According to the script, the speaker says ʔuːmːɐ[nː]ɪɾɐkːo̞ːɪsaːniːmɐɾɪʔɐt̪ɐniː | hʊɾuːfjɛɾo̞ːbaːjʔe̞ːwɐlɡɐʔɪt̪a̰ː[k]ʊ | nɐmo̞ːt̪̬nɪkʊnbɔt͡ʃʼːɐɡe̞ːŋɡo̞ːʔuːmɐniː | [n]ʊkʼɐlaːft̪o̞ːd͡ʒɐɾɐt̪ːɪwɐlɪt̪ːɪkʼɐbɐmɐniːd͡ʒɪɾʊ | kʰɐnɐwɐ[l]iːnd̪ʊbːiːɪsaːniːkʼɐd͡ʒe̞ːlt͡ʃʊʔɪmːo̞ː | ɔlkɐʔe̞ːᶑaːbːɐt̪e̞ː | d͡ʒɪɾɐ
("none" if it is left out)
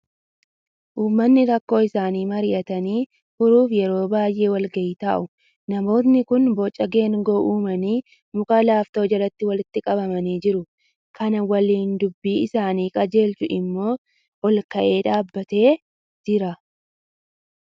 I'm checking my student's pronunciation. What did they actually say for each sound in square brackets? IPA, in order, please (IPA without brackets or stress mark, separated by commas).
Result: nː, ʔ, m, l